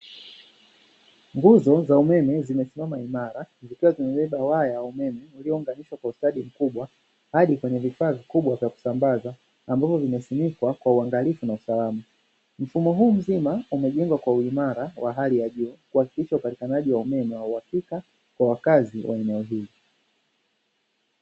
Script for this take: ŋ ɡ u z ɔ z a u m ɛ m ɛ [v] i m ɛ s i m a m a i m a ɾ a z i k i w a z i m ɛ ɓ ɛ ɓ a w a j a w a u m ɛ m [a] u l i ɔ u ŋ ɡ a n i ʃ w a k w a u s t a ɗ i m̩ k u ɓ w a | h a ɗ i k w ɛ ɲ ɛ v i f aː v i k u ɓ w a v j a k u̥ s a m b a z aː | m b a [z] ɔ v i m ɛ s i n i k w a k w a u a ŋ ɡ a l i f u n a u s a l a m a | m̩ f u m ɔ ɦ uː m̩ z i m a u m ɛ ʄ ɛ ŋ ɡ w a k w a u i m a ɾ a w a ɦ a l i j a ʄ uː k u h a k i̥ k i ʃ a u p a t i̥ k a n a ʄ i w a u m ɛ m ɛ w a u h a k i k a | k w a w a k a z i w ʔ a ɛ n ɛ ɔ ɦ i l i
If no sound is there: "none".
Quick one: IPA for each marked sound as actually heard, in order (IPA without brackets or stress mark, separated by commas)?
z, ɛ, v